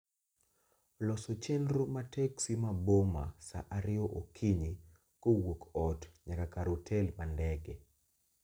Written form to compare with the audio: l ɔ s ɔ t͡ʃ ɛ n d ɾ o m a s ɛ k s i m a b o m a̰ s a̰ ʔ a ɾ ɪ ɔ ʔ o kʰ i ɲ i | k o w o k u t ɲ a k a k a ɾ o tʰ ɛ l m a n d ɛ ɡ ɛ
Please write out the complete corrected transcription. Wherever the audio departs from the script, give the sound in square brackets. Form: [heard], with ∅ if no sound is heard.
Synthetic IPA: l ɔ s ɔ t͡ʃ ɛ n d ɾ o m a [t] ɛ k s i m a b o m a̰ s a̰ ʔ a ɾ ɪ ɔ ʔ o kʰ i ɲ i | k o w o k [ɔ] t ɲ a k a k a ɾ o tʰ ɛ l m a n d ɛ ɡ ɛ